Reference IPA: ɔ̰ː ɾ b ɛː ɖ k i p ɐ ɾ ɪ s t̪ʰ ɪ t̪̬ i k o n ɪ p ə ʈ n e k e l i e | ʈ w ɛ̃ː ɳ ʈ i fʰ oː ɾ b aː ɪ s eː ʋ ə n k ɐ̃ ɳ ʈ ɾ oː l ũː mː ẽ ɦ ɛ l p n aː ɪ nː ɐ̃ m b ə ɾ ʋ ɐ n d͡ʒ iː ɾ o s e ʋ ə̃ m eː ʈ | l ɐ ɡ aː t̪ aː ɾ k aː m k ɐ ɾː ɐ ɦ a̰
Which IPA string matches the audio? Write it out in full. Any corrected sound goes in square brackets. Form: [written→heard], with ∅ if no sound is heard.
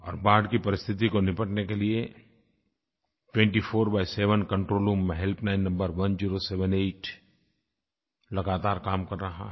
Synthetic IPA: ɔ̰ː ɾ b [ɛː→aː] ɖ k i p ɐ ɾ ɪ s t̪ʰ ɪ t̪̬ i k o n ɪ p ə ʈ n e k e l i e | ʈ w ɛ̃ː ɳ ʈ i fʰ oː ɾ b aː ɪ s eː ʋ ə n k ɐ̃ ɳ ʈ ɾ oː l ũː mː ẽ ɦ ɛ l p n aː ɪ nː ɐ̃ m b ə ɾ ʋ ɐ n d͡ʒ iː ɾ o s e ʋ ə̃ [m→n] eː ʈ | l ɐ ɡ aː t̪ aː ɾ k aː m k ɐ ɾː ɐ ɦ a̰

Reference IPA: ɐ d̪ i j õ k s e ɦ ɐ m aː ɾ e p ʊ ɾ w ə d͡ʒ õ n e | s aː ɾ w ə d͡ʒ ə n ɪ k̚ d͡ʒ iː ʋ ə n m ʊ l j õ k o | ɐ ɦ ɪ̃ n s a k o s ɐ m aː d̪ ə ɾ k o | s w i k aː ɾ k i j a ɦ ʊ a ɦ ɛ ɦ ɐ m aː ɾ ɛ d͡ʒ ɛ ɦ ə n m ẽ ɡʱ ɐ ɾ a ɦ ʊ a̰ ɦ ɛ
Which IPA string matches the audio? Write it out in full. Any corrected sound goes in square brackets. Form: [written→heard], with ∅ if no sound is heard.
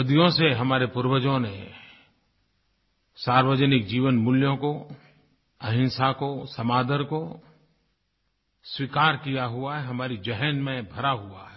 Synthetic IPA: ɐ d̪ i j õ [k→∅] s e ɦ ɐ m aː ɾ e p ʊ ɾ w ə d͡ʒ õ n e | s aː ɾ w ə d͡ʒ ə n ɪ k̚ d͡ʒ iː ʋ ə n m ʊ l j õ k o | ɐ ɦ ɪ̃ n s a k o s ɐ m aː d̪ ə ɾ k o | s w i k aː ɾ k i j a ɦ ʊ a ɦ ɛ ɦ ɐ m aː ɾ [ɛ→i] d͡ʒ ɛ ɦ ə n m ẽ [ɡʱ→bʱ] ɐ ɾ a ɦ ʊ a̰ ɦ ɛ

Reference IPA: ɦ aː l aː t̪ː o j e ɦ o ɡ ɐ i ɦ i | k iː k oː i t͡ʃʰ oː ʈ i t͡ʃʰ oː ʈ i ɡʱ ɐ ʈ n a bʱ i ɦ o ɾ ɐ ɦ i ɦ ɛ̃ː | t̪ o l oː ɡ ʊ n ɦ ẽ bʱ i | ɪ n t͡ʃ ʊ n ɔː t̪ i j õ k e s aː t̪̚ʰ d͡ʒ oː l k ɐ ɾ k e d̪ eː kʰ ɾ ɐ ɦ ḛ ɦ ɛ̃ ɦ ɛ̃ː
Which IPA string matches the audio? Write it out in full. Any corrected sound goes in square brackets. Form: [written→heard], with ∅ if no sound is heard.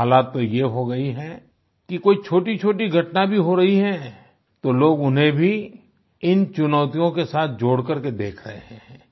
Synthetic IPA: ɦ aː l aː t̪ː o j e ɦ o ɡ ɐ i ɦ [i→ɛ] | k [iː→i] k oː i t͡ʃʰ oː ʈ i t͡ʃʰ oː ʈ i ɡʱ ɐ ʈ n a bʱ i ɦ o ɾ ɐ ɦ i ɦ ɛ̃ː | t̪ o l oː ɡ ʊ n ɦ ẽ bʱ i | ɪ n t͡ʃ ʊ n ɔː t̪ i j õ k e s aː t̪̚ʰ d͡ʒ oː [l→ɽ] k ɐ ɾ k e d̪ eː kʰ ɾ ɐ ɦ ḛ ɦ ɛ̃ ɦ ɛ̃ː

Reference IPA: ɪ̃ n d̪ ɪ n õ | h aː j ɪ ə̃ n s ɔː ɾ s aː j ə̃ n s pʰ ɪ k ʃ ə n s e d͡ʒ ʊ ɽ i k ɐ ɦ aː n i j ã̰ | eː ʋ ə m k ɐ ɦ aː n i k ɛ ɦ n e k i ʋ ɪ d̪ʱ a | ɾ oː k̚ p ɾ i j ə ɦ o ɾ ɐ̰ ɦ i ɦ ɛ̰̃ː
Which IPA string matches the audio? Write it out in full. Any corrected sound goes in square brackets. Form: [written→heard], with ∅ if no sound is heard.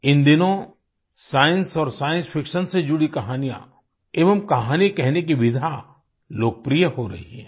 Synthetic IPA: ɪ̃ n d̪ ɪ n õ | [h→s] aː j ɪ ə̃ n s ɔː ɾ s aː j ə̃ n s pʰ ɪ k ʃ ə n s e d͡ʒ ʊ ɽ i k ɐ ɦ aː n i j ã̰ | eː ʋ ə m k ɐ ɦ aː n i k ɛ ɦ n e k i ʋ ɪ d̪ʱ a | [ɾ→l] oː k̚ p ɾ i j ə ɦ o ɾ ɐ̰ ɦ i ɦ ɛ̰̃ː

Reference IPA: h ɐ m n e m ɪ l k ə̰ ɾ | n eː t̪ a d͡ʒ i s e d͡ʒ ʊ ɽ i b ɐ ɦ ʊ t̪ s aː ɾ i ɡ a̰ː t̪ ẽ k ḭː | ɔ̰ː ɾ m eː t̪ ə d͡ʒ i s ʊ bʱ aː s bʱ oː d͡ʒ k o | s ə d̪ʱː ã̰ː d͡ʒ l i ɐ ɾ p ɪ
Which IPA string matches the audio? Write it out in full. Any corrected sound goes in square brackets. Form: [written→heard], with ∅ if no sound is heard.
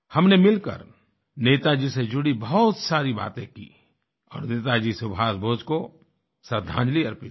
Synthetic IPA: h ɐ m n e m ɪ l k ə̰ ɾ | n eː t̪ a d͡ʒ i s e d͡ʒ ʊ ɽ i b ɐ ɦ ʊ t̪ s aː ɾ i [ɡ→b] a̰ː t̪ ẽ k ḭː | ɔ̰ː ɾ [m→n] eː t̪ [ə→a] d͡ʒ i s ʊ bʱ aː s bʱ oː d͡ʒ k o | s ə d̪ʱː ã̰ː d͡ʒ l i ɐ ɾ p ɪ

